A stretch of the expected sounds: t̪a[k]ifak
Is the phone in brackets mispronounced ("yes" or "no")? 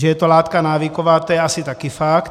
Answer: no